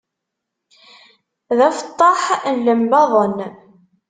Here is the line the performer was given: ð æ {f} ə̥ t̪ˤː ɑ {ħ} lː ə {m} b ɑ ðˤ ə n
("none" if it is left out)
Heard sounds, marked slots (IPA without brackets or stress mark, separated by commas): f, ħ, m